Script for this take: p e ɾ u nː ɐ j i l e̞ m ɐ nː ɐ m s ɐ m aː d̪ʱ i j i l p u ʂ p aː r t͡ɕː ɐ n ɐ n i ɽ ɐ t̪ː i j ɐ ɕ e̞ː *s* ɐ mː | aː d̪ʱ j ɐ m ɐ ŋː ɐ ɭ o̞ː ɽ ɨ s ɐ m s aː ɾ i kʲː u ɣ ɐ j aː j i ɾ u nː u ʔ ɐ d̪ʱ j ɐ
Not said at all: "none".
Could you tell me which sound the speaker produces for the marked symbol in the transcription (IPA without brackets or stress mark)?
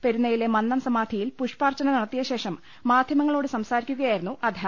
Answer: ʂ